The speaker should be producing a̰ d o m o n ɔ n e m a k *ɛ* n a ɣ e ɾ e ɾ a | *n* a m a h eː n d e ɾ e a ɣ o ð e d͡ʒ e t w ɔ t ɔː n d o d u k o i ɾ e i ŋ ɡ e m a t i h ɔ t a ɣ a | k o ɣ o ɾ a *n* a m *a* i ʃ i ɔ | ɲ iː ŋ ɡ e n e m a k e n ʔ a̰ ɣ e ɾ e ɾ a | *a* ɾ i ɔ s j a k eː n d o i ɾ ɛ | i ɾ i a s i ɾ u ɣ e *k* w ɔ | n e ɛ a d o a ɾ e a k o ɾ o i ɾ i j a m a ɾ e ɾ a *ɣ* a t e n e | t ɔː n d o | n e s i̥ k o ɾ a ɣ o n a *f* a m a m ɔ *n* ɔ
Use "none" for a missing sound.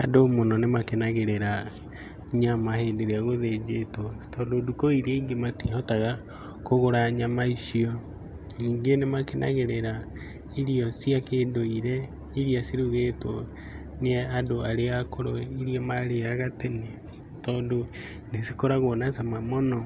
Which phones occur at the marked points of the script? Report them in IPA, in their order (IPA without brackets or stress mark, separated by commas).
e, ɲ, ɲ, a, i, t, ɣ, s, n